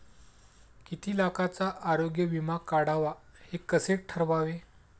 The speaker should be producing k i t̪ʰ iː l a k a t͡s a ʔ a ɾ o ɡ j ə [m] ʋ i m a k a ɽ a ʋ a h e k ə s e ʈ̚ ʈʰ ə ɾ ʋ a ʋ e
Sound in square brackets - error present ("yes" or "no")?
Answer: yes